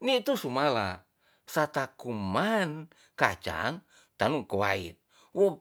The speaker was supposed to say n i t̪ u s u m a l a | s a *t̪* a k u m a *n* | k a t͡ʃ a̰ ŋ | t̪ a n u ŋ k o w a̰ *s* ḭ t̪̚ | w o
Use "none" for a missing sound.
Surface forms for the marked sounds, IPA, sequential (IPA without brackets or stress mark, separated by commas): t̪, n, none